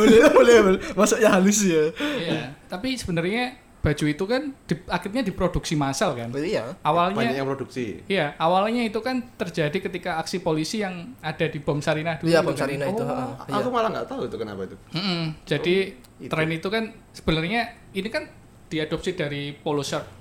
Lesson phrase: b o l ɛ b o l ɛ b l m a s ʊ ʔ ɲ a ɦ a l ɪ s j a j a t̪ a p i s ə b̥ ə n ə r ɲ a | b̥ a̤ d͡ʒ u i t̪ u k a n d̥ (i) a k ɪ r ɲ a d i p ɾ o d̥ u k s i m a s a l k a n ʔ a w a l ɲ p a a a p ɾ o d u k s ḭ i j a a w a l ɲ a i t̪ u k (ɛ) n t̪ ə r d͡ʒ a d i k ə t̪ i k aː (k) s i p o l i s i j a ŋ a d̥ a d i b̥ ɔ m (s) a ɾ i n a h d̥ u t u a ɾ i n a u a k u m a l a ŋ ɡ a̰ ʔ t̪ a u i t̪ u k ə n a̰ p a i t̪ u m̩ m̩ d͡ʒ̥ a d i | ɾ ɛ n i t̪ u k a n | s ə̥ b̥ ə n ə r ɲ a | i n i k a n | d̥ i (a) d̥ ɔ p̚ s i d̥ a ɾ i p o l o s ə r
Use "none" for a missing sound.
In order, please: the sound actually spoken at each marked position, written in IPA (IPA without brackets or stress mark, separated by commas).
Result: i, a, k, s, a